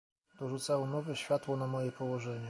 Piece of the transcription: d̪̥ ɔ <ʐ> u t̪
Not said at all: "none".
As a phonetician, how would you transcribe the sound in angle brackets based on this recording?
ʐ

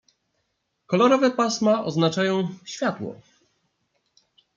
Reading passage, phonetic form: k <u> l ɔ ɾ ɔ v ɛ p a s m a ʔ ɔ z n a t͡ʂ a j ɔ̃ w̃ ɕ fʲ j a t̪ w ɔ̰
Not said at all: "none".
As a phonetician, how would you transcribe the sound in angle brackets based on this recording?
ɔ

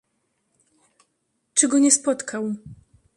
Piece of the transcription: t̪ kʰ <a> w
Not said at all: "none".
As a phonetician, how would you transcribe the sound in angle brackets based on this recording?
a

